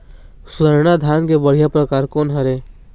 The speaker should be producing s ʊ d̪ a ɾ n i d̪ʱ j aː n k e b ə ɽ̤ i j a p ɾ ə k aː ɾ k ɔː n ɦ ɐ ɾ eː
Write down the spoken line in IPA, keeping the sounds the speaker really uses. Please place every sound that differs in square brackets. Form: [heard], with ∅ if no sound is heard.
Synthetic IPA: s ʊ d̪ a ɾ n [a] d̪ʱ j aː n k e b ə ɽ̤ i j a p ɾ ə k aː ɾ k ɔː n ɦ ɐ ɾ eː